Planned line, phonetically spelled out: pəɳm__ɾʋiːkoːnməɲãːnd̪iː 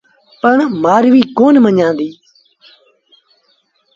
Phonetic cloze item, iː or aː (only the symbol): aː